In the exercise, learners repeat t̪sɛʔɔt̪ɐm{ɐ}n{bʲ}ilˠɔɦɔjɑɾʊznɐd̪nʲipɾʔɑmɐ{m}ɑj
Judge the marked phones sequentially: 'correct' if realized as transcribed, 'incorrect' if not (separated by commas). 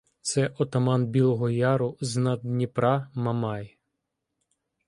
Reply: incorrect, correct, correct